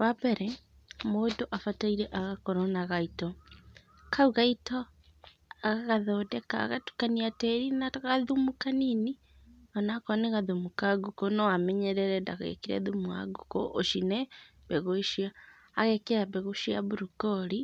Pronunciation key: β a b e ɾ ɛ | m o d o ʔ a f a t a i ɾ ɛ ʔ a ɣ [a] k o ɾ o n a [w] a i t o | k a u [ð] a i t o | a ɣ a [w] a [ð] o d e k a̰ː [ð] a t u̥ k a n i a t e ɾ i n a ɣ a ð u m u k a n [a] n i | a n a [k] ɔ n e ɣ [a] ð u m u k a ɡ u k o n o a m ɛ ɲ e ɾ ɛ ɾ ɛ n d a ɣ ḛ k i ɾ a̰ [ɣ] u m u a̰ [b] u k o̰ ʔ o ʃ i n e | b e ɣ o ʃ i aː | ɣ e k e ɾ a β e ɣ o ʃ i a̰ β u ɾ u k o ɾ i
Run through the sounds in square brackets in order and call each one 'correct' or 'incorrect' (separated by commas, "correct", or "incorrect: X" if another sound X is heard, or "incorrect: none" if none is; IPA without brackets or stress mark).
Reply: correct, incorrect: ɣ, incorrect: ɣ, incorrect: ɣ, correct, incorrect: ɣ, incorrect: i, correct, correct, incorrect: ð, incorrect: ɡ